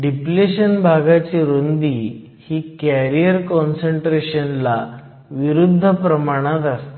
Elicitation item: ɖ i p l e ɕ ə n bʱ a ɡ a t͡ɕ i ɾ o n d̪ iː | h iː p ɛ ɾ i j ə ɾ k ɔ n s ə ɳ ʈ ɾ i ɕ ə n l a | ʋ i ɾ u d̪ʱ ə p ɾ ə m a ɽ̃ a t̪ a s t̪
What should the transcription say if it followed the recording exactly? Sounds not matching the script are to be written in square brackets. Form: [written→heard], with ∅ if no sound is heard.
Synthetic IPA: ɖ i p l e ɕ ə n bʱ a ɡ a t͡ɕ i ɾ o n d̪ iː | h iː [p→k] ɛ ɾ i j ə ɾ k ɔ n s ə ɳ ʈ ɾ [i→e] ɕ ə n l a | ʋ i ɾ u [d̪ʱ→d̪ʱː] ə p ɾ ə m a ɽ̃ a t̪ a s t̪

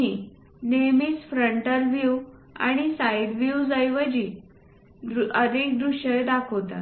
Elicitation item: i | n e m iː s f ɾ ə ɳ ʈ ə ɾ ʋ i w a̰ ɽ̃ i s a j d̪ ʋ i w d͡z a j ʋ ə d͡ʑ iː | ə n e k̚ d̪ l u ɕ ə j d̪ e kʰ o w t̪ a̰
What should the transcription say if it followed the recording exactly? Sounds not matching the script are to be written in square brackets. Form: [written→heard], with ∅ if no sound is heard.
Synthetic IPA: i | n e m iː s f ɾ ə ɳ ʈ ə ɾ ʋ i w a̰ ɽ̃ i s a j d̪ ʋ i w d͡z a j ʋ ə d͡ʑ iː | ə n e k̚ d̪ [l→ɾ] u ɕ ə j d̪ [e→a] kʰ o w t̪ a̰

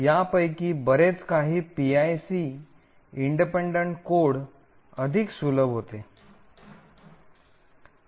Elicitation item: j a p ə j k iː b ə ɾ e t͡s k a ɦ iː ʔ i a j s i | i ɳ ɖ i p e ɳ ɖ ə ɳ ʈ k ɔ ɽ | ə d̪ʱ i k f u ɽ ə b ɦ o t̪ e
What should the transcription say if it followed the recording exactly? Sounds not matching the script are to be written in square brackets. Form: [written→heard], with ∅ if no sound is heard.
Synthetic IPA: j a p ə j k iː b ə ɾ e t͡s k a ɦ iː [ʔ→p] i a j s i | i ɳ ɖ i p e ɳ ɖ ə ɳ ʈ k [ɔ→o] ɽ | ə d̪ʱ i k [f→s] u [ɽ→l] ə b ɦ o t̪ e

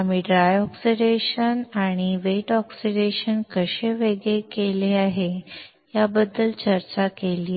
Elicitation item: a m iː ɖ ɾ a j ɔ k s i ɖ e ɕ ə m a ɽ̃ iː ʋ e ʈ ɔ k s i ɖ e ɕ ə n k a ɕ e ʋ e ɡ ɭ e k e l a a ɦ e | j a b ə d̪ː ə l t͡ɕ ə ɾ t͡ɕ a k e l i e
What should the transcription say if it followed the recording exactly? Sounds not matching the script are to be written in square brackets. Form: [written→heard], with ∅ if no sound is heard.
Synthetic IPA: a m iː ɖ ɾ a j ɔ k s i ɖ e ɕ ə [m→n] a ɽ̃ [iː→i] ʋ e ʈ ɔ k s i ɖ e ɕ ə n k [a→ə] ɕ e ʋ e ɡ ɭ e k e l [a→e] a ɦ e | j a b ə d̪ː ə l t͡ɕ ə ɾ t͡ɕ a k e l i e

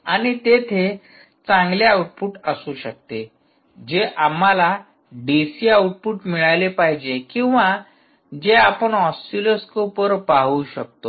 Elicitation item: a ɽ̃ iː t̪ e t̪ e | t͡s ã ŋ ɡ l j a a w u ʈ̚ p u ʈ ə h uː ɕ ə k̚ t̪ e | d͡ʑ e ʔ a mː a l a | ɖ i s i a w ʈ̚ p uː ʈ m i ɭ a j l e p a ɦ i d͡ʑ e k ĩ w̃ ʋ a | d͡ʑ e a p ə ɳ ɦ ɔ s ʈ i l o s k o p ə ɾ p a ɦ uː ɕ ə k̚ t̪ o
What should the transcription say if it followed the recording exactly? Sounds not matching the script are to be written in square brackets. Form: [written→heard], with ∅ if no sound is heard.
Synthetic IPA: a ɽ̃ [iː→i] t̪ e [t̪→t̪ʰ] e | t͡s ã ŋ ɡ l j a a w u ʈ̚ p u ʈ ə [h→s] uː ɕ ə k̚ t̪ e | d͡ʑ e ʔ a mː a l a | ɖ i s i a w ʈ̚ p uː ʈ m i ɭ a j l e p a ɦ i d͡ʑ e k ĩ w̃ ʋ a | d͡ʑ e a p ə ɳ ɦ ɔ s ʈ i l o s k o p ə ɾ p a ɦ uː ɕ ə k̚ t̪ o

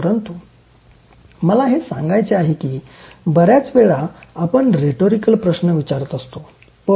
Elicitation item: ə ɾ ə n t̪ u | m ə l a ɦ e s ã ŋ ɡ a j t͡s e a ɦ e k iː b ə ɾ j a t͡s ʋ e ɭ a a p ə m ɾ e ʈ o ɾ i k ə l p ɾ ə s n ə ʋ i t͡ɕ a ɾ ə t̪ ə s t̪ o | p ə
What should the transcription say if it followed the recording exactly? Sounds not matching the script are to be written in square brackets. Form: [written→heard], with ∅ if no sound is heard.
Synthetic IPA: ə ɾ ə n t̪ u | m ə l a ɦ e s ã ŋ ɡ a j t͡s e a ɦ e k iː b ə ɾ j a t͡s ʋ e ɭ a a p ə [m→ɳ] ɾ e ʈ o ɾ i k ə l p ɾ ə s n ə ʋ i t͡ɕ a ɾ ə t̪ ə s t̪ o | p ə

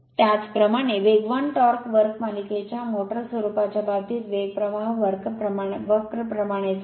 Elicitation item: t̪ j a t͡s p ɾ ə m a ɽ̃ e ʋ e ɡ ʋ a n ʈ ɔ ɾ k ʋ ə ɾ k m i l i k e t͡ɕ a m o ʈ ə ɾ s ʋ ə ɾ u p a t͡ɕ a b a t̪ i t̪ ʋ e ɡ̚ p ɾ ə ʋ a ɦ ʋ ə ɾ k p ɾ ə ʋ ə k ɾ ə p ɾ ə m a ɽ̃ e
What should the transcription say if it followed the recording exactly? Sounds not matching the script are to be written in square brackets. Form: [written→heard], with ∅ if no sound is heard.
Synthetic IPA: t̪ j a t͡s p ɾ ə m a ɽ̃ e ʋ e ɡ ʋ a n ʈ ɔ ɾ k ʋ ə ɾ k m [i→a] l i k e t͡ɕ a m o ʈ ə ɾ s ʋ ə ɾ u p a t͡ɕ a b a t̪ i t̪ ʋ e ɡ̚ p ɾ ə ʋ a ɦ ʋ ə ɾ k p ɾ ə ʋ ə k ɾ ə p ɾ ə m a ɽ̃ e

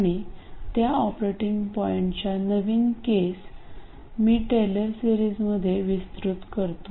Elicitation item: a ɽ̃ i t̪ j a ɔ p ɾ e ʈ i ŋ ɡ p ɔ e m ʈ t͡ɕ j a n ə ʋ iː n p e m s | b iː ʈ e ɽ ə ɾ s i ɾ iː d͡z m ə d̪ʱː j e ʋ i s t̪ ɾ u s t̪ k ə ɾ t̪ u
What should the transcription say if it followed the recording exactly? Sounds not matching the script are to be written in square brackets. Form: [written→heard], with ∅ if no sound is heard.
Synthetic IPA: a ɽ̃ i t̪ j a ɔ p ɾ e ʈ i ŋ ɡ p ɔ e [m→ɳ] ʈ t͡ɕ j a n ə ʋ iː n [p→k] e [m→∅] s | [b→m] iː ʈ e [ɽ→l] ə ɾ s i ɾ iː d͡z m ə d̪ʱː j e ʋ i s t̪ ɾ u [s→∅] t̪ k ə ɾ t̪ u

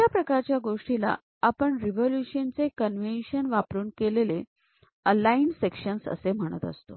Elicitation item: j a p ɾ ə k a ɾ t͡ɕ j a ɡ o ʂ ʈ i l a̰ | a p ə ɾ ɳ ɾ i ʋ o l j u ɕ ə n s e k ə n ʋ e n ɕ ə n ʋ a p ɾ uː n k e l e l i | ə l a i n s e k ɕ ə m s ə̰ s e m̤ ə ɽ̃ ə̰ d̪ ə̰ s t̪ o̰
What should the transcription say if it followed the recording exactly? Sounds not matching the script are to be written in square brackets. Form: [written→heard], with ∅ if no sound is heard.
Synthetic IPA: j a p ɾ ə k a ɾ t͡ɕ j a ɡ o ʂ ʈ i l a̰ | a p ə [ɾ→∅] ɳ ɾ i ʋ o l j u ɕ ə n [s→t͡s] e k ə n ʋ e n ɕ ə n ʋ a p ɾ uː n k e l e l [i→e] | ə l a i n s e k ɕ ə [m→n] s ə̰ s e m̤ ə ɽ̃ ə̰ [d̪→t̪] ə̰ s t̪ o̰

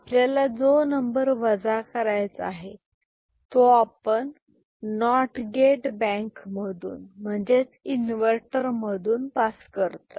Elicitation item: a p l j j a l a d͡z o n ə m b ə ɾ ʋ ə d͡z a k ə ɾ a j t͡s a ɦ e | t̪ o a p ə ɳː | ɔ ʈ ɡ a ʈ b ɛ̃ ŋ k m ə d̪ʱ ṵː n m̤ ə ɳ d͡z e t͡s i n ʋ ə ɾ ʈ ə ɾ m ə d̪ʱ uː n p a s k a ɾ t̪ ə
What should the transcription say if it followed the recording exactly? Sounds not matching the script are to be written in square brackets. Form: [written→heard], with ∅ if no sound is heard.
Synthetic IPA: a p l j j a l a d͡z o n ə m b ə ɾ ʋ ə d͡z a k ə ɾ a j t͡s a ɦ e | t̪ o a p ə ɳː | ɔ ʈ ɡ [a→e] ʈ b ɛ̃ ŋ k m ə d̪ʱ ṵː n m̤ ə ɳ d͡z e t͡s i n ʋ ə ɾ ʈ ə ɾ m ə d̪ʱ uː n p a s k [a→ə] ɾ t̪ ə

